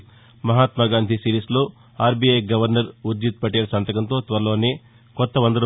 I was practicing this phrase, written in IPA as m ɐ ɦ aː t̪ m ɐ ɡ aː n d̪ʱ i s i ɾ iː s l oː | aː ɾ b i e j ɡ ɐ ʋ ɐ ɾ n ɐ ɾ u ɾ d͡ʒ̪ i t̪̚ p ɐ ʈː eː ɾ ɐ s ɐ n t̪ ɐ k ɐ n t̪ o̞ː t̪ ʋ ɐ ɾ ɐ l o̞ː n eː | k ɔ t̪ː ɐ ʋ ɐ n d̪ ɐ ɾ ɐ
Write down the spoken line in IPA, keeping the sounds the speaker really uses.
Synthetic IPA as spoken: m ɐ ɦ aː t̪ m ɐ ɡ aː n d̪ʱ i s i ɾ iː s l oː | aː ɾ b i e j ɡ ɐ ʋ ɐ ɾ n ɐ ɾ u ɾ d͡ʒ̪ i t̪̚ p ɐ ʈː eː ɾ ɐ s ɐ n t̪ ɐ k ɐ n t̪ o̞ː t̪ ʋ ɐ ɾ ɐ l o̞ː n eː | k ɔ t̪ː ɐ ʋ ɐ n d̪ ɐ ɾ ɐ